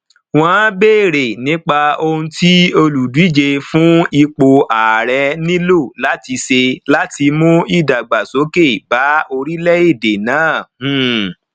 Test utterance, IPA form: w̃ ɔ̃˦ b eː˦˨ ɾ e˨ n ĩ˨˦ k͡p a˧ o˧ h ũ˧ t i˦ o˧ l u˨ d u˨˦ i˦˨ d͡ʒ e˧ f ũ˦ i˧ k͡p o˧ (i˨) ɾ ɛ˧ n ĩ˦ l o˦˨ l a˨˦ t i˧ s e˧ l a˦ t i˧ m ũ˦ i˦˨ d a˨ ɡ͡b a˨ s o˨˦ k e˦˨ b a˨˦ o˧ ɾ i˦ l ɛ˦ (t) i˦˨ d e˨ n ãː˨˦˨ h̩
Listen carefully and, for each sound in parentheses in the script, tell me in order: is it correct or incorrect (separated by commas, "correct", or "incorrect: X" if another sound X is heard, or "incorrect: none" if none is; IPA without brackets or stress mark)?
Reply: incorrect: a˨, incorrect: none